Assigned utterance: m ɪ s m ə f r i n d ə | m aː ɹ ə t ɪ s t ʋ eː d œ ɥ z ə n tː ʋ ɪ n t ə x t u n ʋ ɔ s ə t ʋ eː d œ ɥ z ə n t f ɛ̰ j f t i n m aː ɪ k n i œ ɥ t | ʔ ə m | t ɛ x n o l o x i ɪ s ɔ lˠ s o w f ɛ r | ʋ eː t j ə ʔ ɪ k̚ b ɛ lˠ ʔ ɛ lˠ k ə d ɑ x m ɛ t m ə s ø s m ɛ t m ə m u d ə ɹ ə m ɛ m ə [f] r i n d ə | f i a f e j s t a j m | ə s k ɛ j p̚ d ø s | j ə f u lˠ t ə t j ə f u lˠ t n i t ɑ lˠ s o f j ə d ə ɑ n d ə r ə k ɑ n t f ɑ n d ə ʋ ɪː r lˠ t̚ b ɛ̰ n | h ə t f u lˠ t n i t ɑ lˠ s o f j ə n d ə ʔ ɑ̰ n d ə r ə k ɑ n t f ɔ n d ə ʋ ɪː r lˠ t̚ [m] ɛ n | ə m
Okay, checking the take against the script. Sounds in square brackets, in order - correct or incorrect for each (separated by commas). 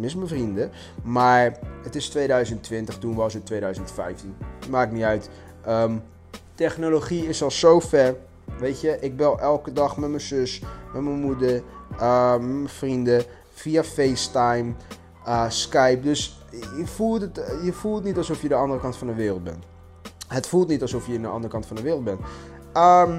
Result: correct, incorrect